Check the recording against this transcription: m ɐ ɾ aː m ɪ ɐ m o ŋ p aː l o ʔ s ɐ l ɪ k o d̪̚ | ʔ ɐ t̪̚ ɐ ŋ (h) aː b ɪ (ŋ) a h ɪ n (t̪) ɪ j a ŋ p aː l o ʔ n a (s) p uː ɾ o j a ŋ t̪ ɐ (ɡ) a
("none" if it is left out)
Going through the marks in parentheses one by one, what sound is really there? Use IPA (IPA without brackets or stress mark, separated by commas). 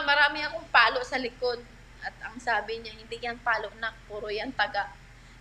s, ɲ, d̪, none, ɡ